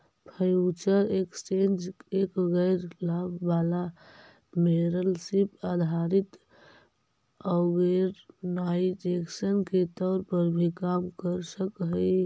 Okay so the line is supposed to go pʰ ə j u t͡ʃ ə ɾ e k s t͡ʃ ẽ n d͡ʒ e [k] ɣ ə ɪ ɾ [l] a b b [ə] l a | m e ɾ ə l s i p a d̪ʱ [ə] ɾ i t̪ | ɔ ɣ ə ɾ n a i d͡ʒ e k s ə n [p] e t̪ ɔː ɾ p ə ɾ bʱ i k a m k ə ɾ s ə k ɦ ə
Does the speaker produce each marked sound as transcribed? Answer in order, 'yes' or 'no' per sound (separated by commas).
yes, yes, no, no, no